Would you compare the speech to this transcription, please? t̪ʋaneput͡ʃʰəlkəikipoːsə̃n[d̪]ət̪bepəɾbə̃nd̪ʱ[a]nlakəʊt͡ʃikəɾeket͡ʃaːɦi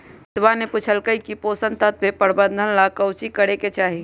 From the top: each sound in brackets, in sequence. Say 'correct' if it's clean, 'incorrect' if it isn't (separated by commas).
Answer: incorrect, incorrect